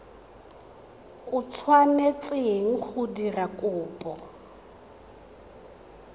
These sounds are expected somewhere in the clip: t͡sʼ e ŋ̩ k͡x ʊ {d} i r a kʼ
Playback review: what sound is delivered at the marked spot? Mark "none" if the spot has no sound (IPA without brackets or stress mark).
d